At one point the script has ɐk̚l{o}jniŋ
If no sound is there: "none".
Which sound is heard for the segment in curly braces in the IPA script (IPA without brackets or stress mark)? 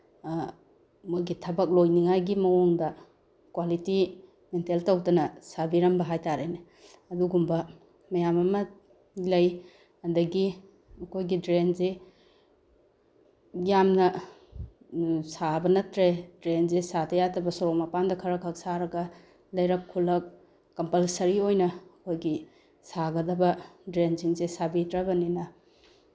o